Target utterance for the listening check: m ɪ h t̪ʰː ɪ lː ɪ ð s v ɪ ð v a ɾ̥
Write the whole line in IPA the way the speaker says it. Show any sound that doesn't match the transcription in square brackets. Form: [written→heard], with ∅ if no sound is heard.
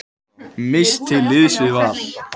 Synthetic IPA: m ɪ [h→s] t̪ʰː ɪ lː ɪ ð s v ɪ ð v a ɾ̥